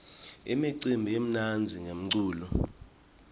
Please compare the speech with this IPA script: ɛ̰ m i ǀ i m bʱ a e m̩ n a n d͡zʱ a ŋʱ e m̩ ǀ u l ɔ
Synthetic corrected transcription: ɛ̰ m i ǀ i m bʱ i e m̩ n a n d͡zʱ i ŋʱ e m̩ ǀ uː l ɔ